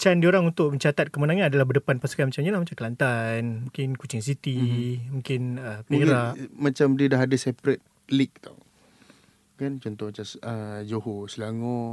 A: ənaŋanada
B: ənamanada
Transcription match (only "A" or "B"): A